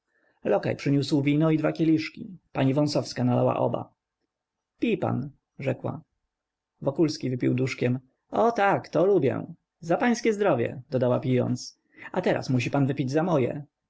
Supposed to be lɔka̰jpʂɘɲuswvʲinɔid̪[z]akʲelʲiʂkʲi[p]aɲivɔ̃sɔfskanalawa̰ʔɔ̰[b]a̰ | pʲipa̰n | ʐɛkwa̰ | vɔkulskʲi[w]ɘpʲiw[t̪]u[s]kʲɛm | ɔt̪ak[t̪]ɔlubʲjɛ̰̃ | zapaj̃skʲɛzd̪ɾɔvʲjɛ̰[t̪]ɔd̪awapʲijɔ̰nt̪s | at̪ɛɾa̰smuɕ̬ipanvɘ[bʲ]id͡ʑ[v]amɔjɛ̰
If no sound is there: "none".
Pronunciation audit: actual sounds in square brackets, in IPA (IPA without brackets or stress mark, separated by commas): v, p, b, v, d̪, ʂ, t̪, d̪, pʲ, z